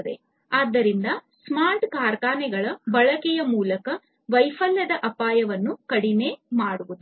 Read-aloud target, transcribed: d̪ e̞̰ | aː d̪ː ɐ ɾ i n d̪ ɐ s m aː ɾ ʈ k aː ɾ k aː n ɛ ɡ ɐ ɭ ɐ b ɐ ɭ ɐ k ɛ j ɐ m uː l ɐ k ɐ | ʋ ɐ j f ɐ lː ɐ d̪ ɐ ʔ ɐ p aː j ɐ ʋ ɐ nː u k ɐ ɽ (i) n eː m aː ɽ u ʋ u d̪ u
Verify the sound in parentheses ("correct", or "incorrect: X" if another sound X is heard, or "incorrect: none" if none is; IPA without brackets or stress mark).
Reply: correct